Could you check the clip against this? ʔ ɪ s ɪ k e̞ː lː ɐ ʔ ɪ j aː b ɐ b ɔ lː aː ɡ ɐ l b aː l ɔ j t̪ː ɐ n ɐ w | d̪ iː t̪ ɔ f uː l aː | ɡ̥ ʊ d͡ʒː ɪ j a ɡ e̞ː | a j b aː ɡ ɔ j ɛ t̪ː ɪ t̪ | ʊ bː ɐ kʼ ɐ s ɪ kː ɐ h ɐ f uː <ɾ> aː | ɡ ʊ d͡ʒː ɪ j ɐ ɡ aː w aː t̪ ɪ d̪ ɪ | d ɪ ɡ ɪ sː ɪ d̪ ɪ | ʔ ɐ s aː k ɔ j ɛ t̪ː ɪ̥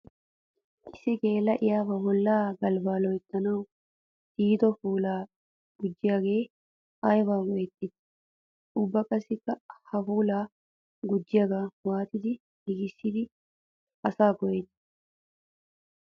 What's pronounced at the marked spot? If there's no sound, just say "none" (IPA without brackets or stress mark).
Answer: l